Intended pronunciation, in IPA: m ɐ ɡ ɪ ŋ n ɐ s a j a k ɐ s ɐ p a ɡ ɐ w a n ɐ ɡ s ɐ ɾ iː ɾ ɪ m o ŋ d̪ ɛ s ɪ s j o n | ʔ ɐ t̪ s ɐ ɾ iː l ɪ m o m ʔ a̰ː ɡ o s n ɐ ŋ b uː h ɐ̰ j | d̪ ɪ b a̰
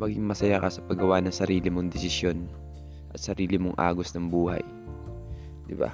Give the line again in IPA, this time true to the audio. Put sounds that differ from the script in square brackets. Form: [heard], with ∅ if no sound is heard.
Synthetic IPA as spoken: m ɐ ɡ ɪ ŋ [m] ɐ s [ɐ] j a k ɐ s ɐ p [ɐ] ɡ ɐ w a n ɐ [ŋ] s ɐ ɾ iː [l] ɪ m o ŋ d̪ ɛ s ɪ s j o n | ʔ ɐ t̪ s ɐ ɾ iː l ɪ m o [ŋ] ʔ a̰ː ɡ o s n ɐ ŋ b uː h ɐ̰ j | d̪ ɪ b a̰